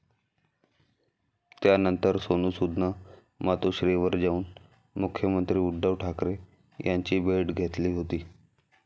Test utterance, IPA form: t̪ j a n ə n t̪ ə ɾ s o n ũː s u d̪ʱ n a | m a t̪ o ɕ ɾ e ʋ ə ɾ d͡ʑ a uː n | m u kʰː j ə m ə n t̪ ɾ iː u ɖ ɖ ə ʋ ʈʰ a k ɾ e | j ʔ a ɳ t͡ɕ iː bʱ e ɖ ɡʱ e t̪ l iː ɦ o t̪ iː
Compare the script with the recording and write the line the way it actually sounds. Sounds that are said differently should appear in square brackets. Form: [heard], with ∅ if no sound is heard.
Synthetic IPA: t̪ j a n ə n t̪ ə ɾ s o n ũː s u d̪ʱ n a | m a t̪ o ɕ ɾ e ʋ ə ɾ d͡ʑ a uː n | m u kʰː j ə m ə n t̪ ɾ iː u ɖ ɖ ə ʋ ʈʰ a k ɾ e | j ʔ a [ɲ] t͡ɕ iː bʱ e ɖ ɡʱ e t̪ l iː ɦ o t̪ iː